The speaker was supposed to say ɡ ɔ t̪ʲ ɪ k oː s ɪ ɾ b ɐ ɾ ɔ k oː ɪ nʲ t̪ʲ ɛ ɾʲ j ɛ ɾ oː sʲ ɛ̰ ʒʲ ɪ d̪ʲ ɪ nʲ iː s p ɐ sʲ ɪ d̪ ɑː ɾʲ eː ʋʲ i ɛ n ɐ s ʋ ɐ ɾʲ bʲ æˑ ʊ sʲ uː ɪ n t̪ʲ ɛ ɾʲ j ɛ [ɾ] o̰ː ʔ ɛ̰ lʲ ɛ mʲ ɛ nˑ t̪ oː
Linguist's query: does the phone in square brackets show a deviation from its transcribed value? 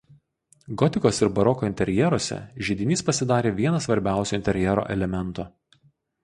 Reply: no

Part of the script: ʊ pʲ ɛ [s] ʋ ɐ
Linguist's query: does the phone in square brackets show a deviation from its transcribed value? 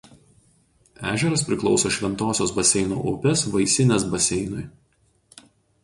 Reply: no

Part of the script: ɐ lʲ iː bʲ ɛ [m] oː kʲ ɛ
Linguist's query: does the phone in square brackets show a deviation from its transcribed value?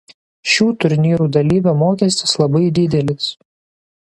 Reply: no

